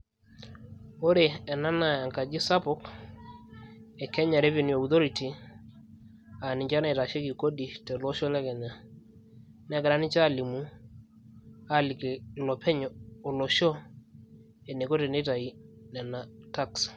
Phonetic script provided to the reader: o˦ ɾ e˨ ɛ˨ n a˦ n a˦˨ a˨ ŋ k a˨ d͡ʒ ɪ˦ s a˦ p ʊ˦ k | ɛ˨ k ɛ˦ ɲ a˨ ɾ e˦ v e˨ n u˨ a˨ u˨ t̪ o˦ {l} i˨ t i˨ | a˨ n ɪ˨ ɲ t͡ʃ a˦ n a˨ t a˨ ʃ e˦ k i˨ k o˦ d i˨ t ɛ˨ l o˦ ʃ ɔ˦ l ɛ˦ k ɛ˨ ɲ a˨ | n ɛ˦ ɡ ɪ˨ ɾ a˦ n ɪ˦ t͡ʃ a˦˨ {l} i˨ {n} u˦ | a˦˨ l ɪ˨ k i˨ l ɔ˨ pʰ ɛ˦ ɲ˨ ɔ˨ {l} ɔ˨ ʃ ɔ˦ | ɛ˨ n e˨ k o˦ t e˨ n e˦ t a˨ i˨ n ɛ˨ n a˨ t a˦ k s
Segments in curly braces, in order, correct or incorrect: incorrect: ɾ, correct, incorrect: m, correct

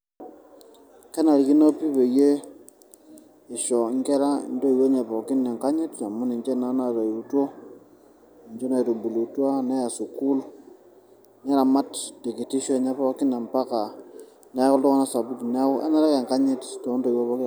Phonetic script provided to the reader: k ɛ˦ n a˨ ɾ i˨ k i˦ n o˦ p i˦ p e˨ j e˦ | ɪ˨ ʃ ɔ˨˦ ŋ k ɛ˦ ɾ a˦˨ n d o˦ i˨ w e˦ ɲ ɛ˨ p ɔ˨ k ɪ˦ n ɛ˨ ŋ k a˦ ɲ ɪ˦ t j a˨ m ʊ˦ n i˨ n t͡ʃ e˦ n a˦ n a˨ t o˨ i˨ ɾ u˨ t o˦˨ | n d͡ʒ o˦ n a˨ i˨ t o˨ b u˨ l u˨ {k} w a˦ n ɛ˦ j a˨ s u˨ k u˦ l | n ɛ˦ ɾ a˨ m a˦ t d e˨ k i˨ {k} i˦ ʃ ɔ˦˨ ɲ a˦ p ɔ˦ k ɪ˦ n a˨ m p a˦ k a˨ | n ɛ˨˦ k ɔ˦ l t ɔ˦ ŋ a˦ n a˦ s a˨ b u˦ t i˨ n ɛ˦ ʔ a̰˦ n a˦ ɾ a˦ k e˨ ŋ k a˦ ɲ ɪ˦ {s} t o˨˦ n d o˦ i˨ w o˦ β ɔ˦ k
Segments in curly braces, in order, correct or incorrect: incorrect: t, incorrect: t, incorrect: t

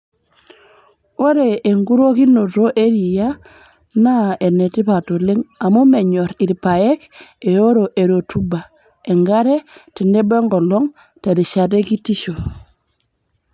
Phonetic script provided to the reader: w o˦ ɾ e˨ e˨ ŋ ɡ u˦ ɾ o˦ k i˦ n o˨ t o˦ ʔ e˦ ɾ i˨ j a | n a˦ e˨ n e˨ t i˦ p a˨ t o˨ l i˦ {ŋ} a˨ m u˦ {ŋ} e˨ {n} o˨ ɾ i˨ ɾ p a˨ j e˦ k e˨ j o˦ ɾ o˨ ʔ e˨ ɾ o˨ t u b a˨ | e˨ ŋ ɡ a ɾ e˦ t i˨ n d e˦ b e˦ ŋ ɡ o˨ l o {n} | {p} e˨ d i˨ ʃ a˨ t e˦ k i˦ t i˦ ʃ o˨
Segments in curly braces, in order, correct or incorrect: correct, incorrect: m, incorrect: ɲ, incorrect: ŋ, incorrect: t

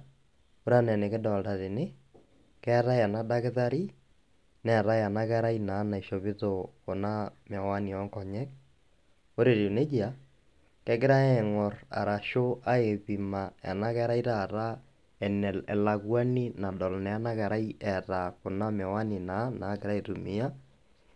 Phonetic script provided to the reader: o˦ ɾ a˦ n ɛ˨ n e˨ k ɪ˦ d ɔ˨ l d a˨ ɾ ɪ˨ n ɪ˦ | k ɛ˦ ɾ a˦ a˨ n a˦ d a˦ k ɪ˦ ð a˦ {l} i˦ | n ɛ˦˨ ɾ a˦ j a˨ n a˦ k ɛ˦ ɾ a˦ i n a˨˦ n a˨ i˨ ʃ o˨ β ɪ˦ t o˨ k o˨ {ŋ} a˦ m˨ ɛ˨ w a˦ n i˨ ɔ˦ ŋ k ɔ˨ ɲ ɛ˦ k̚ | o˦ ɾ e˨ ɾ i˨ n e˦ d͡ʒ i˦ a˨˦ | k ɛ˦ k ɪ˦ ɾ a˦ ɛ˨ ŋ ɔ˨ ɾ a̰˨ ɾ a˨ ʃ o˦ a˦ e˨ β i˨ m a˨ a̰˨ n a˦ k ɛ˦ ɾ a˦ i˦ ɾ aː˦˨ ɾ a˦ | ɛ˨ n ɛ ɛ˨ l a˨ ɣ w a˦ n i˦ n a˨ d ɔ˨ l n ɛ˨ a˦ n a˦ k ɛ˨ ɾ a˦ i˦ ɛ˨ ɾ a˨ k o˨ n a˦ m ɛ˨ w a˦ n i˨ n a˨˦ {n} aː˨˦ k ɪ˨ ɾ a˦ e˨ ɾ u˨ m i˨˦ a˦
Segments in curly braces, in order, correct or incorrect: incorrect: ɾ, incorrect: n, correct

